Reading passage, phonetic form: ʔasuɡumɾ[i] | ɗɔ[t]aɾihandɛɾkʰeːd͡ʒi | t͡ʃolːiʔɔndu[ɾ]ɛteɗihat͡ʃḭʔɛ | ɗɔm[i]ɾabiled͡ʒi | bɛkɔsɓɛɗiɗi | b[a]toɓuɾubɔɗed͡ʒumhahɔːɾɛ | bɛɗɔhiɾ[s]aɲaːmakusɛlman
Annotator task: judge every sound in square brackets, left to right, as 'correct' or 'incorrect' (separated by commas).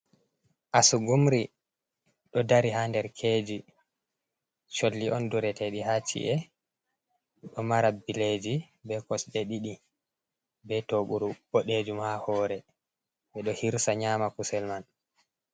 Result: correct, incorrect, correct, incorrect, incorrect, correct